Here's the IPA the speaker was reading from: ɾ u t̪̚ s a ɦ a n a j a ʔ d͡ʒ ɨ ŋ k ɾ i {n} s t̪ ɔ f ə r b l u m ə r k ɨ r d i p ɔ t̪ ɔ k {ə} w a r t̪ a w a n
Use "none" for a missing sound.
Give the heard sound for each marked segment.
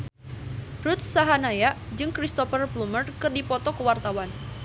none, ə

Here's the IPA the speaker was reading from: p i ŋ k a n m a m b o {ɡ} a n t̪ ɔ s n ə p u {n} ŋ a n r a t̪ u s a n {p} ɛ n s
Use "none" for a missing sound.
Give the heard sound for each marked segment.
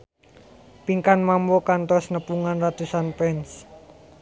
k, none, p

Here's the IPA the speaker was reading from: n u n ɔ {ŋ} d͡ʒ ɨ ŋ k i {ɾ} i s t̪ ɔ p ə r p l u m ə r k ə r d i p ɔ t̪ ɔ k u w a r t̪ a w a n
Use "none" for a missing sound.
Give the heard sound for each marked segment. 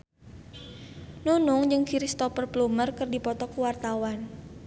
ŋ, ɾ

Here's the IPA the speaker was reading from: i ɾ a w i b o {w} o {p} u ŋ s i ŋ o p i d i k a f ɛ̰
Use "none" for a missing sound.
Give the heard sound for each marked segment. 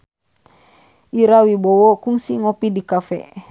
w, k

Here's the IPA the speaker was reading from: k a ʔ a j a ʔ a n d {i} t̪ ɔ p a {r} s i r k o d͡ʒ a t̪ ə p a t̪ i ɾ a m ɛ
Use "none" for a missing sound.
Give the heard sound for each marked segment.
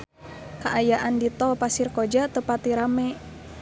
i, none

